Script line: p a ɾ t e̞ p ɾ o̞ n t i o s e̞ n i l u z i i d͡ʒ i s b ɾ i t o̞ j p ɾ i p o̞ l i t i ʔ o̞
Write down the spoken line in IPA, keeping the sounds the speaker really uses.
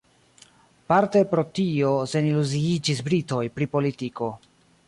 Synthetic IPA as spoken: p a ɾ t e̞ p ɾ o̞ t i o s e̞ n i l u z i i d͡ʒ i s b ɾ i t o̞ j p ɾ i p o̞ l i t i k o̞